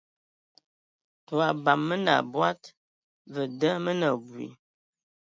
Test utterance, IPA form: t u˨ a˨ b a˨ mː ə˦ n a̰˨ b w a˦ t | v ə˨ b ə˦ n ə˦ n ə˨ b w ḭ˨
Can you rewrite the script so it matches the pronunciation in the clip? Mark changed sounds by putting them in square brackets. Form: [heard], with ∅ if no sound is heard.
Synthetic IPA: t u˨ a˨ b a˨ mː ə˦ n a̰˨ b w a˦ t | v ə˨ [d] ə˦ [m] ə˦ n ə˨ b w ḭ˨